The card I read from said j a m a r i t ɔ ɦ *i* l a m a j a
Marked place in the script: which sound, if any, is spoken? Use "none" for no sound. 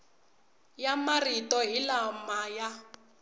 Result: i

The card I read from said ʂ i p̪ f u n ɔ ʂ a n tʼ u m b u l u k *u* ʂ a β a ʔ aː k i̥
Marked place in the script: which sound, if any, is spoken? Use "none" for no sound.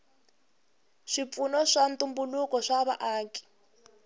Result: ɔ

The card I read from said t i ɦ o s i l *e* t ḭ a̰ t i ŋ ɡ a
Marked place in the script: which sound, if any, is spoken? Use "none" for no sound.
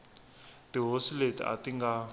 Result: e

